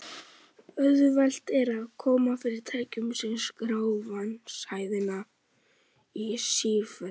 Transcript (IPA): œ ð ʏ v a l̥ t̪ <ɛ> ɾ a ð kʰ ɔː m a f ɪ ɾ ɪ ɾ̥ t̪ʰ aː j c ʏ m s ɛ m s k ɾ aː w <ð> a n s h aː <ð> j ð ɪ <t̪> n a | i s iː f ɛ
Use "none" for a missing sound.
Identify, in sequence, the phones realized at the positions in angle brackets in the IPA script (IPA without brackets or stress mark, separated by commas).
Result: ɛ, v, none, none